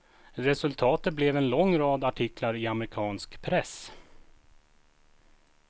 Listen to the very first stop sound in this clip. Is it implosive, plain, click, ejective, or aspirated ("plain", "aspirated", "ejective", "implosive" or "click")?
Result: aspirated